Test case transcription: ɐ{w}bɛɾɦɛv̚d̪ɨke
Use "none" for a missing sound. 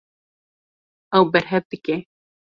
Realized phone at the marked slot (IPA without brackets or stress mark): w